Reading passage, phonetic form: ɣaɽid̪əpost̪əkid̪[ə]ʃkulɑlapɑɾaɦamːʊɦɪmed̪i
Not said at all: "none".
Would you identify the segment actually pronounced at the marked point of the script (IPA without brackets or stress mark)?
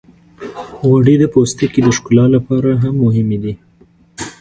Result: ə